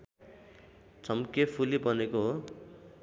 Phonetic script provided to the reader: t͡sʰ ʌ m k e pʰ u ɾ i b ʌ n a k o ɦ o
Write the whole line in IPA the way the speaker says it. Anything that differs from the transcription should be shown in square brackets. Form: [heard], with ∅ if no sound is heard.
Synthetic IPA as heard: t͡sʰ ʌ m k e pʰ u [l] i b ʌ n [e] k o ɦ o